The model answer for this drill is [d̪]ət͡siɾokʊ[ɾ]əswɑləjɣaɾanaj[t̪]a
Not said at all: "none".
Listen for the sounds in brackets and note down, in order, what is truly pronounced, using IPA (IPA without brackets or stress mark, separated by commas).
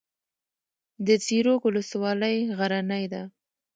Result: d̪, l, d̪